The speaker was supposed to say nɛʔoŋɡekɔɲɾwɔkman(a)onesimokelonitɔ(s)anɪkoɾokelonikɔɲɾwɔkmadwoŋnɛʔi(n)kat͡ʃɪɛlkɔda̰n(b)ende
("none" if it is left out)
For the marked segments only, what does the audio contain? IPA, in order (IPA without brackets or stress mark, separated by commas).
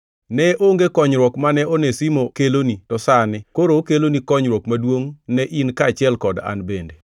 ɛ, s, n, b